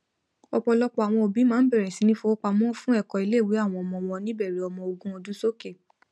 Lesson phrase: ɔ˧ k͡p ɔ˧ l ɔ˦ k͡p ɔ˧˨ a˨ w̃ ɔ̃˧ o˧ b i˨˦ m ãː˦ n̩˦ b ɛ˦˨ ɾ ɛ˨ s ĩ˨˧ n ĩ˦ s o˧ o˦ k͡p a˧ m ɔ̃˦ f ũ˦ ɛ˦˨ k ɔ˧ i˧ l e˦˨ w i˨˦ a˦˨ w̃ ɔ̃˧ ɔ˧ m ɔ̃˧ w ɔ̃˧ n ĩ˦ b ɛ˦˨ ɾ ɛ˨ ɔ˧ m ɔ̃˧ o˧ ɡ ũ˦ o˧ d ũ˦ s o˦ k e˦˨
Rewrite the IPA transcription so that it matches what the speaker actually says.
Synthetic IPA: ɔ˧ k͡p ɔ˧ l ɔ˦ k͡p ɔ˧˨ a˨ w̃ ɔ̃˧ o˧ b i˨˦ m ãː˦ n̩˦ b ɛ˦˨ ɾ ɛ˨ s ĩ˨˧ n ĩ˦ f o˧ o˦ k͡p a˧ m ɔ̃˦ f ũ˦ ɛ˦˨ k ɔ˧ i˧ l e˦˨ w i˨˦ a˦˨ w̃ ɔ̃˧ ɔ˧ m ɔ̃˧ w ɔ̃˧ n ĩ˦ b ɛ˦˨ ɾ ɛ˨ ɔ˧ m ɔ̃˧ o˧ ɡ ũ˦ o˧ d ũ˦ s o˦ k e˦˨